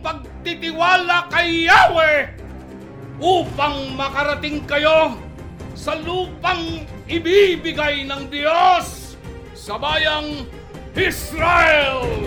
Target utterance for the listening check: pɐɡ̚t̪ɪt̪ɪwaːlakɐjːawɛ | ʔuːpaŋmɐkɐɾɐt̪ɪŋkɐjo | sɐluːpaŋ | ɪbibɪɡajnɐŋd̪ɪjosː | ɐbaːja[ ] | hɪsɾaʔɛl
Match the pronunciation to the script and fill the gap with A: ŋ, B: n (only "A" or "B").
A